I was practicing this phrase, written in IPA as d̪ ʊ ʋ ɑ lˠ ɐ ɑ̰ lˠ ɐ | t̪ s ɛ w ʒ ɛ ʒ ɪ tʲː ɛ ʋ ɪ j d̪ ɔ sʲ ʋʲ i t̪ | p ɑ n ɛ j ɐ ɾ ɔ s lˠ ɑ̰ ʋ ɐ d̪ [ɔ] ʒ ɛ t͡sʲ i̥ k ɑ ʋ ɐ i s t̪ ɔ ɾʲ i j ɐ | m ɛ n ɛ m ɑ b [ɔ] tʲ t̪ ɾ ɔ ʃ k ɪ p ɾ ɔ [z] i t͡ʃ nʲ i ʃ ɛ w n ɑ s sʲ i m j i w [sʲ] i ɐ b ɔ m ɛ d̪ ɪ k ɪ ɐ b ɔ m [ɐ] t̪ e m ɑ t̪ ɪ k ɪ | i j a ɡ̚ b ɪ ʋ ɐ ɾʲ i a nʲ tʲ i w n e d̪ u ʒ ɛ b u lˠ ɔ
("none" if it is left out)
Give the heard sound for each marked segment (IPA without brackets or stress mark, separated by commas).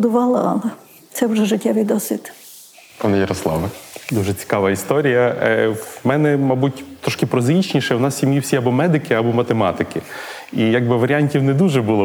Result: u, u, z, sʲ, ɐ